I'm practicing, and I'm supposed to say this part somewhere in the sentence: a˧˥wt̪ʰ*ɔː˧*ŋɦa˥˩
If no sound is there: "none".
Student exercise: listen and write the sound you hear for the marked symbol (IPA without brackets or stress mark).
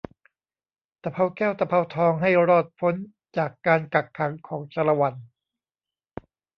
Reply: ɔː˧